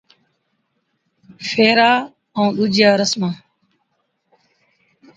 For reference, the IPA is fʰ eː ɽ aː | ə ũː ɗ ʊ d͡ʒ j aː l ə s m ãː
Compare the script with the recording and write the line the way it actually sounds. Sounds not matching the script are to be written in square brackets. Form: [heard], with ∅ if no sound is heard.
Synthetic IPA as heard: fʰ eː [ɾ] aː | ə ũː ɗ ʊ d͡ʒ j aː [ɾ] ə s m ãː